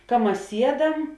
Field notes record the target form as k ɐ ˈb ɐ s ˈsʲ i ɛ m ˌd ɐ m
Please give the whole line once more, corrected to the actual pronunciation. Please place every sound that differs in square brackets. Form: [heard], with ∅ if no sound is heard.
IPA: k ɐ [ˈm] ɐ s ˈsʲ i ɛ [∅] ˌd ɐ m

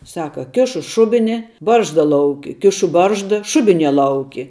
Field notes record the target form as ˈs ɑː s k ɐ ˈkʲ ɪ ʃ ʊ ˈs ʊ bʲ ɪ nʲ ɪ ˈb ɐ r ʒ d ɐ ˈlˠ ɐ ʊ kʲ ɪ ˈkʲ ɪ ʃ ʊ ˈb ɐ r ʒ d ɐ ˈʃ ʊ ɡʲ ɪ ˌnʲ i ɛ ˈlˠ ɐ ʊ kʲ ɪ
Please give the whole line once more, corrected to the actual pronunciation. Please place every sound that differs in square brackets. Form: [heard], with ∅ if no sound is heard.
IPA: ˈs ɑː [∅] k ɐ ˈkʲ ɪ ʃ ʊ [ˈʃ] ʊ bʲ ɪ nʲ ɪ ˈb ɐ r ʒ d ɐ ˈlˠ ɐ ʊ kʲ ɪ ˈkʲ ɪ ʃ ʊ ˈb ɐ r ʒ d ɐ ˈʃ ʊ [bʲ] ɪ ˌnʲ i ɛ ˈlˠ ɐ ʊ kʲ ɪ

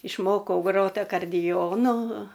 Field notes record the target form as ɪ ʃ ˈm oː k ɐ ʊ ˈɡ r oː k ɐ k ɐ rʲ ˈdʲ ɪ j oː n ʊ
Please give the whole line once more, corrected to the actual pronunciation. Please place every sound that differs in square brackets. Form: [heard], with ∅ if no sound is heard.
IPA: ɪ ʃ ˈm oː k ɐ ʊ ˈɡ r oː [t] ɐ k ɐ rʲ ˈdʲ ɪ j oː n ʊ

